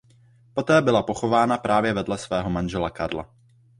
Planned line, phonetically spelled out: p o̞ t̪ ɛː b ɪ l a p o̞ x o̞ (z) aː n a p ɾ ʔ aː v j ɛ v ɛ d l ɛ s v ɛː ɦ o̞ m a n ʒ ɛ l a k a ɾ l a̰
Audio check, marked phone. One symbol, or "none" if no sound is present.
v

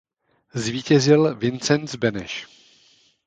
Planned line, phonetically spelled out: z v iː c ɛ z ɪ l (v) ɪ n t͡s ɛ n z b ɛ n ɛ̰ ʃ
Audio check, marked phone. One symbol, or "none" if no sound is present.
v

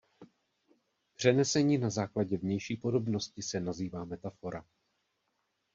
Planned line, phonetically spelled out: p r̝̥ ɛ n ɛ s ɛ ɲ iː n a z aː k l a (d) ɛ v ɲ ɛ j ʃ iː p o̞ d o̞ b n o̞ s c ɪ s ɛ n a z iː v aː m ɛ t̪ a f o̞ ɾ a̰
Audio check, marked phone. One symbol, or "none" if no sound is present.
ɟ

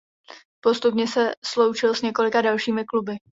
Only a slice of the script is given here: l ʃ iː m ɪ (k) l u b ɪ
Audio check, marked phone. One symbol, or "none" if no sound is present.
k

